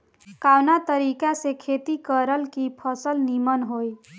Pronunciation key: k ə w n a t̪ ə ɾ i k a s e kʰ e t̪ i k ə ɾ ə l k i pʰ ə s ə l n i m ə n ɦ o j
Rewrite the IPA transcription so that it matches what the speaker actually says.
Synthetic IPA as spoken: k a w n a t̪ ə ɾ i k a s e kʰ e t̪ i k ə ɾ ə l k i pʰ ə s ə l n i m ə n ɦ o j